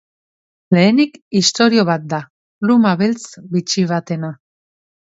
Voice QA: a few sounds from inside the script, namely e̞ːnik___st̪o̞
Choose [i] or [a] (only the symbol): i